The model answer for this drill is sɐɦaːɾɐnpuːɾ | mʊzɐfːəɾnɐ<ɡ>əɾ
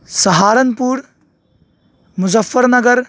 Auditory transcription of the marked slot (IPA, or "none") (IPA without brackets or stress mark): ɡ